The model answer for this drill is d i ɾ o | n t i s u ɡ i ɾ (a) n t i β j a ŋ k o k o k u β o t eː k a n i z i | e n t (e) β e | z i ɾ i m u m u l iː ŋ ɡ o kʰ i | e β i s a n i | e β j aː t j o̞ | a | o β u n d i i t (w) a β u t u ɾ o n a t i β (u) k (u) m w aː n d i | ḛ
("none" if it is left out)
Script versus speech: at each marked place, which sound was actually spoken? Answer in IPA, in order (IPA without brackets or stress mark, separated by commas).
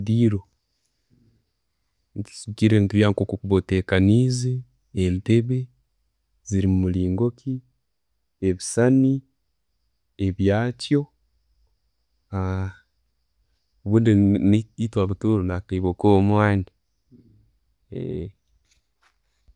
e, e, w, o, o